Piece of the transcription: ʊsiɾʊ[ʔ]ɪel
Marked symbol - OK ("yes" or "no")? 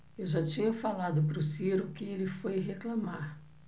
no